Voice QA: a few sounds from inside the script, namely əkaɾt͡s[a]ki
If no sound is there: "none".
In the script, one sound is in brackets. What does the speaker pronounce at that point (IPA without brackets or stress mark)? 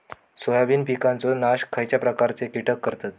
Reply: e